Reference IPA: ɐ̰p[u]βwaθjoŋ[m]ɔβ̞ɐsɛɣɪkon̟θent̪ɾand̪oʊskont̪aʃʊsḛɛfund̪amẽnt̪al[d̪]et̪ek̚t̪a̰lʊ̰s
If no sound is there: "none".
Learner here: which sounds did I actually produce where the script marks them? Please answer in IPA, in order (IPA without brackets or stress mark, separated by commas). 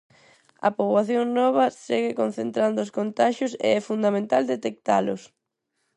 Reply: o, n, d̪